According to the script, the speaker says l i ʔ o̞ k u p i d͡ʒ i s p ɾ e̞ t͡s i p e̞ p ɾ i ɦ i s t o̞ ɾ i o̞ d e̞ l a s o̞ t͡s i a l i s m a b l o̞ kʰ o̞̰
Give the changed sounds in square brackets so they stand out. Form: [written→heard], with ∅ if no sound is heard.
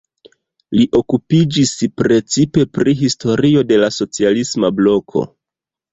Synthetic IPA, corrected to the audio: l i ʔ o̞ k u p i d͡ʒ i s p ɾ e̞ t͡s i p e̞ p ɾ i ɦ i s t o̞ ɾ i o̞ d e̞ l a s o̞ t͡s i a l i s m a b l o̞ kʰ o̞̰